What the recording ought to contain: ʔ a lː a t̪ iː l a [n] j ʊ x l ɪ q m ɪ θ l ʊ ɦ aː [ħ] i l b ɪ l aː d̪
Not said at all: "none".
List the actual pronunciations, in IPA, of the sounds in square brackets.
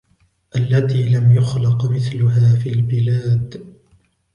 m, f

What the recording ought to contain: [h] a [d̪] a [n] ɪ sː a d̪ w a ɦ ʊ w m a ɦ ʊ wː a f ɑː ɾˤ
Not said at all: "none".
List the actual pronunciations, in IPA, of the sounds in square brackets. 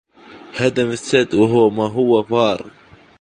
h, d̪, m

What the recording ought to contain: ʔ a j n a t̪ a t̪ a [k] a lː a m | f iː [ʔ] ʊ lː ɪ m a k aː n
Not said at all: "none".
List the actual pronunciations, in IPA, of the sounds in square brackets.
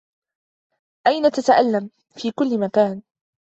ʔ, k

